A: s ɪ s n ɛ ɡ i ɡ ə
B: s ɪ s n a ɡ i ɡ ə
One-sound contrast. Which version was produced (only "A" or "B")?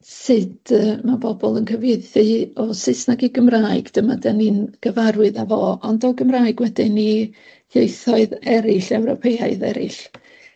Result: B